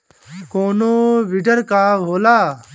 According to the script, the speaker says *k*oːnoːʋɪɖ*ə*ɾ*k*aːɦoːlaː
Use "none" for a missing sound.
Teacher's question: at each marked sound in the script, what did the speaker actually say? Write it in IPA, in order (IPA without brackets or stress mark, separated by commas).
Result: k, ə, k